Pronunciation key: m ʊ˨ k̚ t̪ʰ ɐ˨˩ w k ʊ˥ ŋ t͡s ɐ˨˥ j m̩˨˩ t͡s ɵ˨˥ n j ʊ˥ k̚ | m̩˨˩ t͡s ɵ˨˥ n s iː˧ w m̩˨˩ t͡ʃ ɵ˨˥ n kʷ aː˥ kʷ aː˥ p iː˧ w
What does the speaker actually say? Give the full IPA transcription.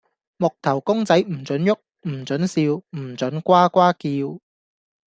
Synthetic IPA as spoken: m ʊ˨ k̚ t̪ʰ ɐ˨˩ w k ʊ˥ ŋ t͡s ɐ˨˥ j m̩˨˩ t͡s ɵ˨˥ n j ʊ˥ k̚ | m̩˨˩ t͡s ɵ˨˥ n s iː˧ w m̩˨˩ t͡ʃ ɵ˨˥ n kʷ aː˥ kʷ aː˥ k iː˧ w

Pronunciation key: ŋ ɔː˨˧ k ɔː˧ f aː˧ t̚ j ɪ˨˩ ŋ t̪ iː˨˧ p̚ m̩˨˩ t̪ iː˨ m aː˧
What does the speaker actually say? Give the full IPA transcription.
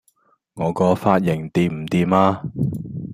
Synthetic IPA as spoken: ŋ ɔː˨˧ k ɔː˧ f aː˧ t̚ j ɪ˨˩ ŋ t̪ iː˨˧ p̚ m̩˨˩ t̪ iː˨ m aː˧

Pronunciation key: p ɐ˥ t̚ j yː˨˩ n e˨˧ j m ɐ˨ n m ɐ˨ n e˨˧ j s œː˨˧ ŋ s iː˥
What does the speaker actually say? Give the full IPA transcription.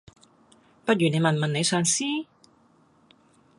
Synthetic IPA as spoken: p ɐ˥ t̚ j yː˨˩ n e˨˧ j m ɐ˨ n m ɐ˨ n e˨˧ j s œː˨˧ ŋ s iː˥

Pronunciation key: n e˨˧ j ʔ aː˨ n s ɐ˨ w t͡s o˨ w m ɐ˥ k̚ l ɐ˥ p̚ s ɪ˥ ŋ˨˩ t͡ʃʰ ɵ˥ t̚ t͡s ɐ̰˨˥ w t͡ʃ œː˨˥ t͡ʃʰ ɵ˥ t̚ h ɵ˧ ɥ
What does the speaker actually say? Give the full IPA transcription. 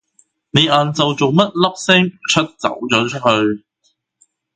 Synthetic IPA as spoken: n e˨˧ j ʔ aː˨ n t͡s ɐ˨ w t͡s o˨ w m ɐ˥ t̚ l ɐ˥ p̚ s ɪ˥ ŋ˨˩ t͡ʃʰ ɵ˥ t̚ t͡s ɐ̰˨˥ w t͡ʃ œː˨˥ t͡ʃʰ ɵ˥ t̚ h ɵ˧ ɥ

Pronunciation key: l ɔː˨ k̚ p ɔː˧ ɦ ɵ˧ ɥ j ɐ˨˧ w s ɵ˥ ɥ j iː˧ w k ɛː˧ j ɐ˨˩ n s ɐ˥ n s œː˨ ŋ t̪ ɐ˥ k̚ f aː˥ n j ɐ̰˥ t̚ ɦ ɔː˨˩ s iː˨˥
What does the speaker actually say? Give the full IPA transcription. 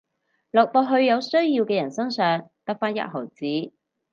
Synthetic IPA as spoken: l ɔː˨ k̚ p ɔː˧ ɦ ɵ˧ ɥ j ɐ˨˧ w s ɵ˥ ɥ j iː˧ w k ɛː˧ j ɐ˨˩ n s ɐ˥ ŋ s œː˨ ŋ t̪ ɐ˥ k̚ f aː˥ n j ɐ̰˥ t̚ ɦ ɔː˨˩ t͡s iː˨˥

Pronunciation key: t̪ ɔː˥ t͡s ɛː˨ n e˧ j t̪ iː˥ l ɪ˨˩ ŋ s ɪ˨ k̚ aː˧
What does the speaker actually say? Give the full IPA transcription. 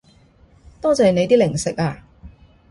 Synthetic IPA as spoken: t̪ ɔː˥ t͡s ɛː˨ n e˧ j t̪ iː˥ l ɪ˨˩ ŋ s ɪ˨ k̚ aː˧

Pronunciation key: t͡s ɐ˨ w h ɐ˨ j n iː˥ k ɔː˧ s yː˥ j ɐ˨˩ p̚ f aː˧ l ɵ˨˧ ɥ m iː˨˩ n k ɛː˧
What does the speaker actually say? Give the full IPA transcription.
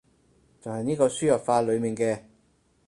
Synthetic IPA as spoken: t͡s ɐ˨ w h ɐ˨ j n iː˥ k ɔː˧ s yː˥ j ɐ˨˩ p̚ f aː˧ l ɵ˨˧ ɥ m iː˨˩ n k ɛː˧

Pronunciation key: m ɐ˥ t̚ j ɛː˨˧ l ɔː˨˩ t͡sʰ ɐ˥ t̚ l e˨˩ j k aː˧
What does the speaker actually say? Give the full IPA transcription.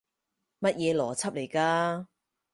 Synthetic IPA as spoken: m ɐ˥ t̚ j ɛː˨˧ l ɔː˨˩ t͡sʰ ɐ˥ p̚ l e˨˩ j k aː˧

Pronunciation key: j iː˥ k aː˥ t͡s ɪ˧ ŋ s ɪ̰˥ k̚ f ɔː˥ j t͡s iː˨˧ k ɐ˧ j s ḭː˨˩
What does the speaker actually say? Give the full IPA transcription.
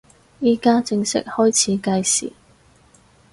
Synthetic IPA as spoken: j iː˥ k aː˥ t͡s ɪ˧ ŋ s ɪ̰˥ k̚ h ɔː˥ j t͡sʰ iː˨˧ k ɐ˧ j s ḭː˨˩

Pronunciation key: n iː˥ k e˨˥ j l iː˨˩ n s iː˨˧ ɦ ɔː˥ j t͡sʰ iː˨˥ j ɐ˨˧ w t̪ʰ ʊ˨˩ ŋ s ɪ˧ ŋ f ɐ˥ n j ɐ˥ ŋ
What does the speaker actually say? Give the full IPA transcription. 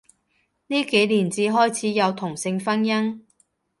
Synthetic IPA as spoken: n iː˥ k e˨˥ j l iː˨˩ n t͡s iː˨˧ ɦ ɔː˥ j t͡sʰ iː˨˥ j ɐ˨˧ w t̪ʰ ʊ˨˩ ŋ s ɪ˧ ŋ f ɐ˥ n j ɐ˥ ŋ

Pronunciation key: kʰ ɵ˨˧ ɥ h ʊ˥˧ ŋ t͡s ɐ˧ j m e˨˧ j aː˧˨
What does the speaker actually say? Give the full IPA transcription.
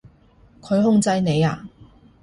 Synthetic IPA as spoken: kʰ ɵ˨˧ ɥ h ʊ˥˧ ŋ t͡s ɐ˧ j n e˨˧ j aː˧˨

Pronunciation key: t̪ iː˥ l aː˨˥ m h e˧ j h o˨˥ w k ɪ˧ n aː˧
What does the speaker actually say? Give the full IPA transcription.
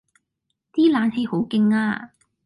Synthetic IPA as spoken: t̪ iː˥ l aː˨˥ n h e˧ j h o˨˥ w k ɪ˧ ŋ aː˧

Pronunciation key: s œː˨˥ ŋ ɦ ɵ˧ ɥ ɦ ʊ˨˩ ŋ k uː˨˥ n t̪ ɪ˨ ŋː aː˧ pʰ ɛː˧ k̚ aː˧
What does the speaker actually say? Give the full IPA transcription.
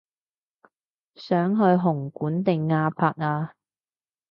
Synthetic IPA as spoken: s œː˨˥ ŋ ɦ ɵ˧ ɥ ɦ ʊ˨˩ ŋ k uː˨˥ n t̪ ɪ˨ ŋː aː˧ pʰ aː˧ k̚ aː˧

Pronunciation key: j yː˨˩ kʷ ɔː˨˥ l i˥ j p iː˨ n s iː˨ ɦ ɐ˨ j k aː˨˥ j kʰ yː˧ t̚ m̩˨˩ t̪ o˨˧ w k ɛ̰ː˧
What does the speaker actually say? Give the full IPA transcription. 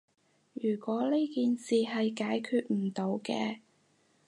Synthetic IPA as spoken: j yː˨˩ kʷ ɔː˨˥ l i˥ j k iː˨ n s iː˨ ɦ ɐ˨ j k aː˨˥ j kʰ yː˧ t̚ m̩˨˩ t̪ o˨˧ w k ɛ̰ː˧

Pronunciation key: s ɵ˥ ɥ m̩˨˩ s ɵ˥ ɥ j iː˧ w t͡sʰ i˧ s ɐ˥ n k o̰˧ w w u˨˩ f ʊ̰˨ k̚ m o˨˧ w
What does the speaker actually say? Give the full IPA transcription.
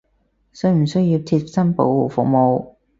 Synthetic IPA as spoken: s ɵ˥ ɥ m̩˨˩ s ɵ˥ ɥ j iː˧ w t͡sʰ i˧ s ɐ˥ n p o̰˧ w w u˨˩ f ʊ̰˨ k̚ m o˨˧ w

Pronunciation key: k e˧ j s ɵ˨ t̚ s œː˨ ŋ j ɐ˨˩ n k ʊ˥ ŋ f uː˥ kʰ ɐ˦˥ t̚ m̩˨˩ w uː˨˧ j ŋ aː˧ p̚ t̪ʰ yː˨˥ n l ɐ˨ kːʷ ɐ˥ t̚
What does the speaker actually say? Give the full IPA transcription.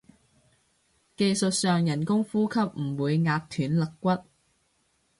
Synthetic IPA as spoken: k e˧ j s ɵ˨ t̚ s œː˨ ŋ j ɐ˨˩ n k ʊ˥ ŋ f uː˥ kʰ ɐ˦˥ p̚ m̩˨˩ w uː˨˧ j ŋ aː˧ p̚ t̪ʰ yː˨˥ n l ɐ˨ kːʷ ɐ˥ t̚

